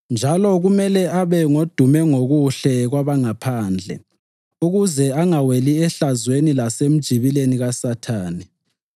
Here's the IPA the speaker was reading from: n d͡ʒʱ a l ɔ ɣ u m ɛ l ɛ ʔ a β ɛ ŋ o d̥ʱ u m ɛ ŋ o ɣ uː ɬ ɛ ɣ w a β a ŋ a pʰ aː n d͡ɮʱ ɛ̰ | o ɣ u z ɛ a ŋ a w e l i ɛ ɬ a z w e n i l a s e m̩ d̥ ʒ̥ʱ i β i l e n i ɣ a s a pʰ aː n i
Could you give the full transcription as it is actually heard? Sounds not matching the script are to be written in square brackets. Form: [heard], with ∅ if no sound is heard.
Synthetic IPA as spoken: n d͡ʒʱ a l ɔ ɣ u m ɛ l ɛ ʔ a β ɛ ŋ o d̥ʱ u m ɛ ŋ o ɣ [u] ɬ ɛ ɣ w a β a ŋ a pʰ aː n d͡ɮʱ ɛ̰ | [u] ɣ u z ɛ a ŋ a w e l i ɛ ɬ a z w e n i l a s e m̩ d̥ ʒ̥ʱ i β i l e n i ɣ a s a [tʰ] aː n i